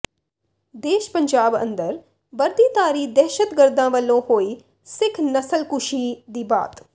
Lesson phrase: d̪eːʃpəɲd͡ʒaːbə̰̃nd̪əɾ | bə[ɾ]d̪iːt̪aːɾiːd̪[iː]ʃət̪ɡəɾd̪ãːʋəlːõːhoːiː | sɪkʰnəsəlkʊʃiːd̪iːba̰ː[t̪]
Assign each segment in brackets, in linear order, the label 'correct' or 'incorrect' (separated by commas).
correct, incorrect, correct